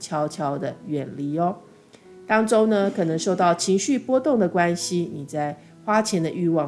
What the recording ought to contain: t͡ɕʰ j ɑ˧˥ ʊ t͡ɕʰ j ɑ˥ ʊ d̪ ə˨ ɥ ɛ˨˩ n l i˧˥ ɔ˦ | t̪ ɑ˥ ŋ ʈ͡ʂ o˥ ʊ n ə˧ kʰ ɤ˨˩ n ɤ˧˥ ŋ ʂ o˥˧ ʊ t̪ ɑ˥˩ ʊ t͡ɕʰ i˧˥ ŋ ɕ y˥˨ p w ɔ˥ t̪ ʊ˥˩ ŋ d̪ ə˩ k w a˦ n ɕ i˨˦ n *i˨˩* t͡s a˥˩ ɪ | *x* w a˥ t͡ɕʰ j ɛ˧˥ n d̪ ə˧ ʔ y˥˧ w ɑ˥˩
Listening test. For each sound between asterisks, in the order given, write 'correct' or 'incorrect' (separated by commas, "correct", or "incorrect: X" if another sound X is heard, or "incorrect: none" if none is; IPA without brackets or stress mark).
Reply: correct, correct